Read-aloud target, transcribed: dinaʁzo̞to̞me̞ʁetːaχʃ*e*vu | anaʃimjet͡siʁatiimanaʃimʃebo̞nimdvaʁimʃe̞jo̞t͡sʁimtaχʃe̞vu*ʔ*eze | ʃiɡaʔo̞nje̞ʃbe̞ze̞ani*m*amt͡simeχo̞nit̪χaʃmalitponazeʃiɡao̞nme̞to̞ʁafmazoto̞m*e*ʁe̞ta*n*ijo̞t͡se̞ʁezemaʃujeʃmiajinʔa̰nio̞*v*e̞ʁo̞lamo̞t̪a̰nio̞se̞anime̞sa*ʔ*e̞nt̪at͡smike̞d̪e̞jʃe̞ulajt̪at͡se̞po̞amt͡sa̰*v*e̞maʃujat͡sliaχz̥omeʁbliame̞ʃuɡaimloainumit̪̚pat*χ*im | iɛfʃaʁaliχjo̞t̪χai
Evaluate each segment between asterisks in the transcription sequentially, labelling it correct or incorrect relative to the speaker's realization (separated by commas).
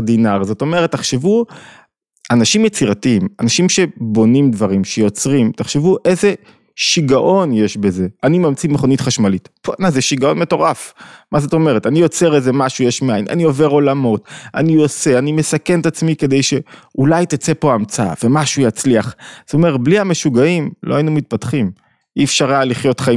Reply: correct, correct, correct, correct, correct, correct, incorrect, correct, correct